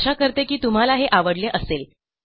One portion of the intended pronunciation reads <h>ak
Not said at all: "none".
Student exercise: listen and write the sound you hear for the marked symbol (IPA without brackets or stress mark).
ɕ